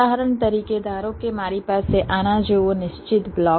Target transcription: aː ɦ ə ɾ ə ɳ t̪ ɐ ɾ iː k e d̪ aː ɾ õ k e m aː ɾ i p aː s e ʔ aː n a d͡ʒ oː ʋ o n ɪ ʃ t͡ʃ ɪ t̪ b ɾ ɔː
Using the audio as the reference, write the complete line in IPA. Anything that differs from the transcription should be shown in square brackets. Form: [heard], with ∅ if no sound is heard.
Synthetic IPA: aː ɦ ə ɾ ə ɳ t̪ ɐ ɾ iː k e d̪ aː ɾ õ k e m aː ɾ i p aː s e ʔ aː n a d͡ʒ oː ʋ o n ɪ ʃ t͡ʃ ɪ t̪ b [l] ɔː